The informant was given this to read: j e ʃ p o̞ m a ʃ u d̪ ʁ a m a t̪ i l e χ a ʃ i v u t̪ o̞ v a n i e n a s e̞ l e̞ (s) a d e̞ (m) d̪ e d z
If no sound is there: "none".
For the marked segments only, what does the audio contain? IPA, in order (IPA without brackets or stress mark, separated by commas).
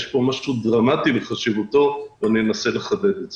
χ, none